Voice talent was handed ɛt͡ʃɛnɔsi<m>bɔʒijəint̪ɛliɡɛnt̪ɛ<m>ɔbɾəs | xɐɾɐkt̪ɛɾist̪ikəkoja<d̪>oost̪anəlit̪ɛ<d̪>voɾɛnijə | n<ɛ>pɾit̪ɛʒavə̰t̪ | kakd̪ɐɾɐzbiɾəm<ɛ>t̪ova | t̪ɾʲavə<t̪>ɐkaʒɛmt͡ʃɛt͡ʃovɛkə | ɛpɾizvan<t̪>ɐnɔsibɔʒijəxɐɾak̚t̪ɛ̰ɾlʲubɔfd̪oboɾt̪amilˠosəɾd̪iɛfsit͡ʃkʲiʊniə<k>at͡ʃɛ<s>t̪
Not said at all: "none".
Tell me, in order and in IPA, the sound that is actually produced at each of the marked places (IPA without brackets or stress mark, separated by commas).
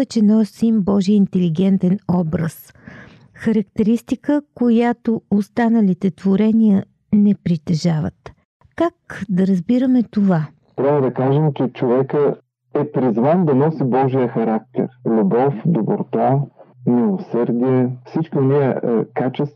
m, n, t̪, t̪, ɛ, ɛ, d̪, d̪, k, s